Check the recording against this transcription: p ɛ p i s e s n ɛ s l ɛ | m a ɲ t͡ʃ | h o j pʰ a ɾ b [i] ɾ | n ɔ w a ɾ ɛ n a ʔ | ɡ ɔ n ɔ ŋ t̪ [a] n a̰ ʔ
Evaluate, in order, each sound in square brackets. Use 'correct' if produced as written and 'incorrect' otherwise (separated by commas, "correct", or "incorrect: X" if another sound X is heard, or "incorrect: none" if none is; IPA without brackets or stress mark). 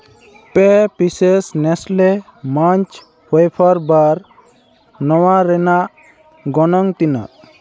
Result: incorrect: a, incorrect: i